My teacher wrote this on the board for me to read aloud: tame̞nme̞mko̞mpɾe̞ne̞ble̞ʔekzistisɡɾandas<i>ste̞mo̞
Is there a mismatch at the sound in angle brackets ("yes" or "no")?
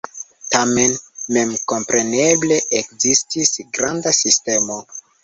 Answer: no